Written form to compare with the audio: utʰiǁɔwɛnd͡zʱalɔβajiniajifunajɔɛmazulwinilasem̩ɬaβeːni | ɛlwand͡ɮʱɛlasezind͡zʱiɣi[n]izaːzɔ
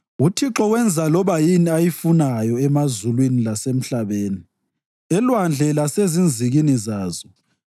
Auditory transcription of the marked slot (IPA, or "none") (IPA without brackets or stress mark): n